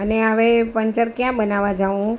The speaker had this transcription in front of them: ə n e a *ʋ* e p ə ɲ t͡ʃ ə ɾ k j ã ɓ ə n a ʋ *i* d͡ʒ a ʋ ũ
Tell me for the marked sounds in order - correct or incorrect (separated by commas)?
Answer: correct, incorrect